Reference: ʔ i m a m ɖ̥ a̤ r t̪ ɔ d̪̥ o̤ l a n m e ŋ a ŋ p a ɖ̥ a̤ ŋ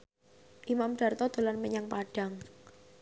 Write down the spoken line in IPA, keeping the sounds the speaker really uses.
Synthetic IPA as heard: ʔ i m a m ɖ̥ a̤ r t̪ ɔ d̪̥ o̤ l a n m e ɲ a ŋ p a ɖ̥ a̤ ŋ